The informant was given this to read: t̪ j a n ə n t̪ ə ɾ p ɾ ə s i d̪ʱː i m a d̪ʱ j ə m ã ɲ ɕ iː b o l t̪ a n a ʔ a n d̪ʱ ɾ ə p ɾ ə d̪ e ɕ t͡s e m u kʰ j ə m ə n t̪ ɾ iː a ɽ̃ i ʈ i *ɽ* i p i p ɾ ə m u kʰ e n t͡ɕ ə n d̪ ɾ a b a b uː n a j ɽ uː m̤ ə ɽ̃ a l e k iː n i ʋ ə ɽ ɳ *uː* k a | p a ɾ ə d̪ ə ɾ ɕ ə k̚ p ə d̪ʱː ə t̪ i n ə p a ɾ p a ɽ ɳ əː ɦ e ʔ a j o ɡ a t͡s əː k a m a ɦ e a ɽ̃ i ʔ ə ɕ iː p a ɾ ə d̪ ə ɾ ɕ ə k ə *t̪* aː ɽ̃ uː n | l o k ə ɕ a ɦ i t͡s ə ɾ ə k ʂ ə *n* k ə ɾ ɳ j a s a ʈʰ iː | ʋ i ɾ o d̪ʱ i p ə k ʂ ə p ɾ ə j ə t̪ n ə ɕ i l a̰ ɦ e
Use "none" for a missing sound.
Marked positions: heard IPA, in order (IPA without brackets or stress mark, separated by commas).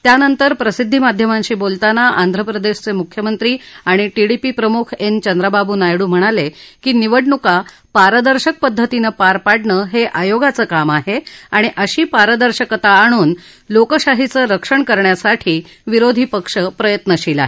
ɽ, u, t̪, ɳ